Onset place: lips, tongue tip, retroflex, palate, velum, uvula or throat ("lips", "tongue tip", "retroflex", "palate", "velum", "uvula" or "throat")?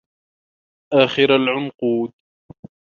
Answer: throat